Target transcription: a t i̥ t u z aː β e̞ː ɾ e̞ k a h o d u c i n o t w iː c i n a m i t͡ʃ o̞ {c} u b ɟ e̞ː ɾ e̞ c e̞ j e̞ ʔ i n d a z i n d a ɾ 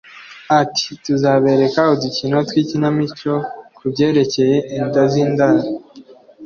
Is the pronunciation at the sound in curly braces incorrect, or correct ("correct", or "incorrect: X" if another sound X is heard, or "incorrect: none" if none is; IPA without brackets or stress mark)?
incorrect: k